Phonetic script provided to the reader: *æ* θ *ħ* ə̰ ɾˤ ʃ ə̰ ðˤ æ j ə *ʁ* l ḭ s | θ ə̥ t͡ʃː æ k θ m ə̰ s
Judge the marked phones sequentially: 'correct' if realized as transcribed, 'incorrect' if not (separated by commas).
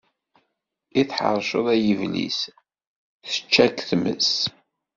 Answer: incorrect, correct, incorrect